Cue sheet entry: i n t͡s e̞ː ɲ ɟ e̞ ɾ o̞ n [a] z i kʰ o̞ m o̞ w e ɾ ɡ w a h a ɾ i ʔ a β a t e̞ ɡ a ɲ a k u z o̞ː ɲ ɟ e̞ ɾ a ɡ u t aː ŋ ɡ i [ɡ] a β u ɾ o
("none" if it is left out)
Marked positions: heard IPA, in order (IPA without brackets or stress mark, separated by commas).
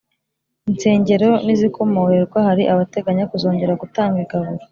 i, ɡ